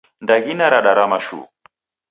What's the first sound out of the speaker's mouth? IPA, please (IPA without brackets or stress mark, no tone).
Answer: n